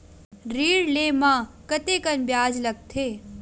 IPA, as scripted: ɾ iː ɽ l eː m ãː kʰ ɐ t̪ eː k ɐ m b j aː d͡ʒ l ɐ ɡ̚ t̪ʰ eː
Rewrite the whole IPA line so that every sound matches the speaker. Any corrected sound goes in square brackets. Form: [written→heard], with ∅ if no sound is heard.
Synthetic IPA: ɾ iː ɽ l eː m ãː [kʰ→k] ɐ t̪ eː k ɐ [m→n] b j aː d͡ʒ l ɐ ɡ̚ t̪ʰ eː